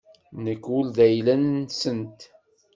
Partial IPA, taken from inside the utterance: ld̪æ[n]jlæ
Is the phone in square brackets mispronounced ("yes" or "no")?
yes